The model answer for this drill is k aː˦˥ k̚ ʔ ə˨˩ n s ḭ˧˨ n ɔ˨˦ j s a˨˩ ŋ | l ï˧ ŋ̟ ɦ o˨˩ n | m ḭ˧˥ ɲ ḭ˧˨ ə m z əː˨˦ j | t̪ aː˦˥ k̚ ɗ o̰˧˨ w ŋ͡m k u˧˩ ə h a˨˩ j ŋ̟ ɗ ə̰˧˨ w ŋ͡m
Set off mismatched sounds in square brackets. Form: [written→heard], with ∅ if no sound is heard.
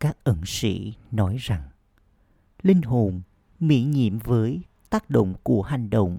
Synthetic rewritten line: k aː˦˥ k̚ ʔ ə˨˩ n s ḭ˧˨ n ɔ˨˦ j [s→z] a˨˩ ŋ | l ï˧ ŋ̟ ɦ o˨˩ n | m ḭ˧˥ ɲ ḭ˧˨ ə m [z→v] əː˨˦ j | t̪ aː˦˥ k̚ ɗ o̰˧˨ w ŋ͡m k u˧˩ ə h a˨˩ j ŋ̟ ɗ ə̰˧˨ w ŋ͡m